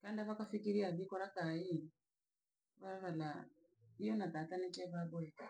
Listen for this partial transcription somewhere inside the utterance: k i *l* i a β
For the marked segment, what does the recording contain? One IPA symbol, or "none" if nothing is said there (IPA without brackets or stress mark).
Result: ɾ